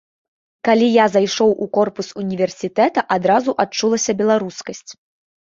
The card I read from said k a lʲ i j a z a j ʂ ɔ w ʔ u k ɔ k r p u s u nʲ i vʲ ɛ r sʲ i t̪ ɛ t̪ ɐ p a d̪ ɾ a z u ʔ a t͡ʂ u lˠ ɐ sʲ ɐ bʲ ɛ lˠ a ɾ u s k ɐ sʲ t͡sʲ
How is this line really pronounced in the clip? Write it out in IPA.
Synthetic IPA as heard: k a lʲ i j a z a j ʂ ɔ w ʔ u k ɔ r p u s u nʲ i vʲ ɛ r sʲ i t̪ ɛ t̪ ɐ ʔ a d̪ ɾ a z u ʔ a t͡ʂ u lˠ ɐ sʲ ɐ bʲ ɛ lˠ a ɾ u s k ɐ sʲ t͡sʲ